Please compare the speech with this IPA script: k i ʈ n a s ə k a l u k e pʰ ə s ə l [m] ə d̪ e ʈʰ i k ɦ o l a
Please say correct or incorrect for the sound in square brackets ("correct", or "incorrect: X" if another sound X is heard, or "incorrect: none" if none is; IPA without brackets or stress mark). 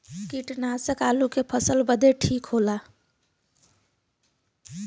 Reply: incorrect: b